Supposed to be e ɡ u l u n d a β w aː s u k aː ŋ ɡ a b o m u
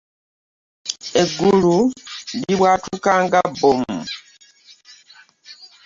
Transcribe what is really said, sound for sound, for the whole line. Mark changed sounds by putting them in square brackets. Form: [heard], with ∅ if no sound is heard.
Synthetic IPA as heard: e ɡ u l u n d [i] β w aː [t] u k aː ŋ ɡ a b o m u